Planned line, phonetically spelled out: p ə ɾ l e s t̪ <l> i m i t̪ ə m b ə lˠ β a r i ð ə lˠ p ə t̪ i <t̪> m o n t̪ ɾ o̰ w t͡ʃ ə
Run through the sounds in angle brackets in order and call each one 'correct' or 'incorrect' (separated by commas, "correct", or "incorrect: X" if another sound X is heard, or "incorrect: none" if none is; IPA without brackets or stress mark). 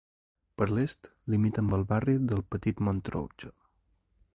correct, correct